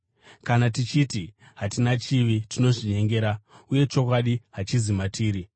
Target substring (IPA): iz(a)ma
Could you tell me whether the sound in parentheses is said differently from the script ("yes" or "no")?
yes